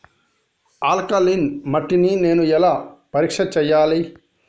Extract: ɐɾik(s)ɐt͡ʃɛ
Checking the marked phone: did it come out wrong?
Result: yes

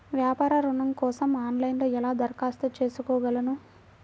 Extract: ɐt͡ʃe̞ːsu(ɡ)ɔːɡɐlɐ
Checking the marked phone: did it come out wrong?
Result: yes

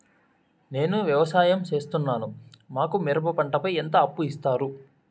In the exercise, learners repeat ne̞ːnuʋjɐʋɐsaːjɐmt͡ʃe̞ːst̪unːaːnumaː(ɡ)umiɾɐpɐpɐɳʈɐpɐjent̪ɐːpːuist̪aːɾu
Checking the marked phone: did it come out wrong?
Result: yes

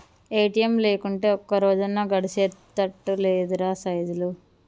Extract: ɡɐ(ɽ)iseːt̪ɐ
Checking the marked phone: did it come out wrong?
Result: no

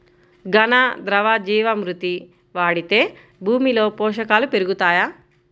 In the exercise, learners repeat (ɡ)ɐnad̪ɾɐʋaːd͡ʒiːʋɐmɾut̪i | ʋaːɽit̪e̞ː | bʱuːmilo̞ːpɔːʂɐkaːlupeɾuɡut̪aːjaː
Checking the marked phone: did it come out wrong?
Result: no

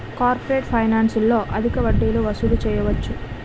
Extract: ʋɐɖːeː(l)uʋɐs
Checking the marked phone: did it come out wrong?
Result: no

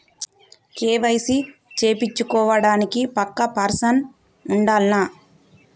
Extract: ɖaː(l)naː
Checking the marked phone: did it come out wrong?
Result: no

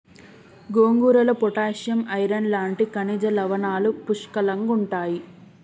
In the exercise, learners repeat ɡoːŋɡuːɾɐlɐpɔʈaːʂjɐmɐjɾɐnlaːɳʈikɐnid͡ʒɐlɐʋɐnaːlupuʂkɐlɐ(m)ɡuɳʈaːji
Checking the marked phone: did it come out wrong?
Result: yes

